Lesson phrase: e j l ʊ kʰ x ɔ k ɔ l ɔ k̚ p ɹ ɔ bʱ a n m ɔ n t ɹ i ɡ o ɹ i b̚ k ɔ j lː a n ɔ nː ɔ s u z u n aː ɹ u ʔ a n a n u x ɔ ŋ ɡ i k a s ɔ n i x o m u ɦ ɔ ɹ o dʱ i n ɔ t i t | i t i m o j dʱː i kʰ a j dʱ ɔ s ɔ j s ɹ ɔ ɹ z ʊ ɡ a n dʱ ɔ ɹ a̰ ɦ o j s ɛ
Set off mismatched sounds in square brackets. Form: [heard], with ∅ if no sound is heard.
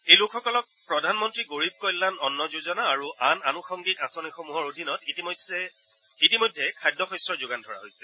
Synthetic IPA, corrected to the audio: e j l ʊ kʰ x ɔ k ɔ l ɔ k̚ p ɹ ɔ [dʱ] a n m ɔ n t ɹ i ɡ o ɹ i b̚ k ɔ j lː a n ɔ nː ɔ [z] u z [ɔ] n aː ɹ u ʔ a n a n u x ɔ ŋ ɡ i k a s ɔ n i x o m u ɦ ɔ ɹ o dʱ i n ɔ t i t | i t i m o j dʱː [ɛ] kʰ a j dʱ ɔ [x] ɔ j s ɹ ɔ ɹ z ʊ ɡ a n dʱ ɔ ɹ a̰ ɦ o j s ɛ